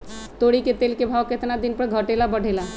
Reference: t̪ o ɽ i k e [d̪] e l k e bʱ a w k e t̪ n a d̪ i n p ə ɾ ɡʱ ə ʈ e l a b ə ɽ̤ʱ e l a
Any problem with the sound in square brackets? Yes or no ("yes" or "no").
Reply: yes